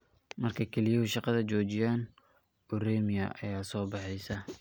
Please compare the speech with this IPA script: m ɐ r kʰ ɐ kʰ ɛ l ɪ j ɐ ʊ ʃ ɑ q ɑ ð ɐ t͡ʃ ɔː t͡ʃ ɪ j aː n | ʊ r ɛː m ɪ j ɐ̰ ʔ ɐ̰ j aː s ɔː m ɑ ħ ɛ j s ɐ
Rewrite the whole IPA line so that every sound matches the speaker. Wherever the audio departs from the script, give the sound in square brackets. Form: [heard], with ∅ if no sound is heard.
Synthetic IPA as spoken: m ɐ r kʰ ɐ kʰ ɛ l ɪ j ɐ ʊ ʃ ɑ q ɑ ð ɐ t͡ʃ ɔː t͡ʃ ɪ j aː n | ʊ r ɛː m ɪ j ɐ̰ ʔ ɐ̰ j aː s ɔː [b] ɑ ħ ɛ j s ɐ

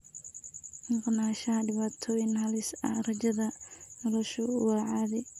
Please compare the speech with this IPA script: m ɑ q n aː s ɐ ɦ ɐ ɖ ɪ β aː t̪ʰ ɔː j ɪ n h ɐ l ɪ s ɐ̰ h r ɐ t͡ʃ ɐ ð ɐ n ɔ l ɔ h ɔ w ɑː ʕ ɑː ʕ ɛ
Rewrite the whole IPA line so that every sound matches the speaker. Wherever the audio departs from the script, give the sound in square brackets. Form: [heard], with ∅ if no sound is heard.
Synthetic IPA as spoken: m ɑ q n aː [ʃ] ɐ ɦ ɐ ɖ ɪ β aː t̪ʰ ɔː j ɪ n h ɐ l ɪ s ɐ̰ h r ɐ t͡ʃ ɐ ð ɐ n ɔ l ɔ [ʃ] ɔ w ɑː ʕ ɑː [ð] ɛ

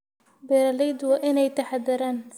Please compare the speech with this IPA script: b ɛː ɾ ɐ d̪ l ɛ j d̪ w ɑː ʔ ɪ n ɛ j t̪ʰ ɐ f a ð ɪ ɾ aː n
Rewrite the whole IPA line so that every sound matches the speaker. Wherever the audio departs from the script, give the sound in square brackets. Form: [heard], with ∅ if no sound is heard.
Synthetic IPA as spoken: b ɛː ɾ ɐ [∅] l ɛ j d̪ w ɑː ʔ ɪ n ɛ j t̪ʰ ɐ [ħ] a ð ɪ ɾ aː n

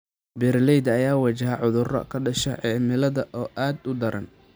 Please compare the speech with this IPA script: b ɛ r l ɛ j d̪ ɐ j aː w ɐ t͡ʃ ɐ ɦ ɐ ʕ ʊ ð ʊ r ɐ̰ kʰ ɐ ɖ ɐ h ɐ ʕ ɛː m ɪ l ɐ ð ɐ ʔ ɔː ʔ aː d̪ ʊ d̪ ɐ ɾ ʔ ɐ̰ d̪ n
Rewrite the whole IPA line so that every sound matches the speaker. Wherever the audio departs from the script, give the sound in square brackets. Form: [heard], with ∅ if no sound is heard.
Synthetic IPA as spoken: b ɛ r l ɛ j d̪ ɐ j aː w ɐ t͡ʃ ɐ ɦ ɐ ʕ ʊ ð ʊ r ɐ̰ kʰ ɐ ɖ ɐ [ʃ] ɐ ʕ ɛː m ɪ l ɐ ð ɐ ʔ ɔː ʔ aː d̪ ʊ d̪ ɐ ɾ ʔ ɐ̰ [∅] n

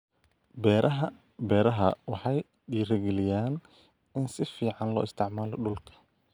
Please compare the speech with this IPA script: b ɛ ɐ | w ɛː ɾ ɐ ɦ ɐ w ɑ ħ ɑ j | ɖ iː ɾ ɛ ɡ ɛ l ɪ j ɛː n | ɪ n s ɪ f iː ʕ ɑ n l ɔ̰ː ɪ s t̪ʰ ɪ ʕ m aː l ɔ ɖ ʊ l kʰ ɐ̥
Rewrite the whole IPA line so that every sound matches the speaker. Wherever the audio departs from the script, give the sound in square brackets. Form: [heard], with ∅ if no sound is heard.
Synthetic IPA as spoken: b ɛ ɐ | [b] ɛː ɾ ɐ ɦ ɐ w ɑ ħ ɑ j | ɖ iː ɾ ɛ ɡ ɛ l ɪ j [aː] n | ɪ n s ɪ f iː ʕ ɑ n l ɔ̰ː ɪ s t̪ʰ ɪ ʕ m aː l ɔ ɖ ʊ l kʰ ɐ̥

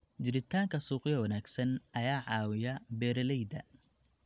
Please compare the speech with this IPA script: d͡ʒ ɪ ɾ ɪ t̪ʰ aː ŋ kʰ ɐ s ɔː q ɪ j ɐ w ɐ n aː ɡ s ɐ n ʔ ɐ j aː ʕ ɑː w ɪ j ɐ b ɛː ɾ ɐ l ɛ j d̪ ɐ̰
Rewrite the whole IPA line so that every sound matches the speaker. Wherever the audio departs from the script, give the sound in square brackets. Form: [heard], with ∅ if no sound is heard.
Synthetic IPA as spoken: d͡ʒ ɪ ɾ ɪ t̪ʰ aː ŋ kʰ ɐ s [uː] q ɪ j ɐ w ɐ n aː ɡ s ɐ n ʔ ɐ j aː ʕ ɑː w ɪ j ɐ b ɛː ɾ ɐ l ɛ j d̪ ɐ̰

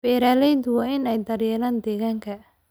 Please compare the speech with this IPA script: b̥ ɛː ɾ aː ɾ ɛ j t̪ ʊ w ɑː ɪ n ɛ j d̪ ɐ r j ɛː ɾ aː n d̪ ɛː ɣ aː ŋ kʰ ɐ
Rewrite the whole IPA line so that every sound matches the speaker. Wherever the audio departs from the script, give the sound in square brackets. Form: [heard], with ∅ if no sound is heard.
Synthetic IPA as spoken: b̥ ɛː ɾ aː [l] ɛ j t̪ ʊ w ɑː ɪ n ɛ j d̪ ɐ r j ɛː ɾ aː n d̪ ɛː ɣ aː ŋ kʰ ɐ

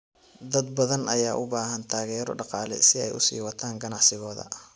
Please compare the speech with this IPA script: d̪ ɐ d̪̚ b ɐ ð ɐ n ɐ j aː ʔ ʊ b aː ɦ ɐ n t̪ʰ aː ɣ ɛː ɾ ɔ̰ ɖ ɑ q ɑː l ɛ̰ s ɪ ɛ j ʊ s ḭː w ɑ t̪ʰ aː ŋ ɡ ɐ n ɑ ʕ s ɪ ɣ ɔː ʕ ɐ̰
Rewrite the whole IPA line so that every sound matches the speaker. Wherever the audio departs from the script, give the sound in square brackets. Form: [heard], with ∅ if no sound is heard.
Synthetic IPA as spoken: d̪ ɐ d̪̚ b ɐ ð ɐ n ɐ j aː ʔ ʊ b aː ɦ ɐ n t̪ʰ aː ɣ ɛː ɾ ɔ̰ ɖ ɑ q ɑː l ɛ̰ s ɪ ɛ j ʊ s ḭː w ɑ t̪ʰ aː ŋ ɡ ɐ n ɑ ʕ s ɪ ɣ ɔː [ð] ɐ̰

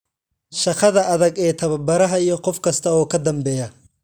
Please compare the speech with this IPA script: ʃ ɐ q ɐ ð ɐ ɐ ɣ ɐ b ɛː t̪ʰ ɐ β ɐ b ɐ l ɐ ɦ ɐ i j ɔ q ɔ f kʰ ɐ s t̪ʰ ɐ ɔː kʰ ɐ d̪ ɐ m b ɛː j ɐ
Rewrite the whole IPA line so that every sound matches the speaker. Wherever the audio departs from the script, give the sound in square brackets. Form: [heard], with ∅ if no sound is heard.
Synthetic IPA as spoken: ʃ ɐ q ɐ ð ɐ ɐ [ð] ɐ [ɡ] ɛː t̪ʰ ɐ β ɐ b ɐ [ɾ] ɐ ɦ ɐ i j ɔ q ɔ f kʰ ɐ s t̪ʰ ɐ ɔː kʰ ɐ d̪ ɐ m b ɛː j ɐ

